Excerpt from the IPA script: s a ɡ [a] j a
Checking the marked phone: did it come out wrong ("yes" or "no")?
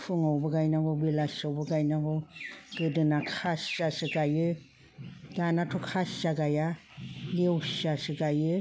no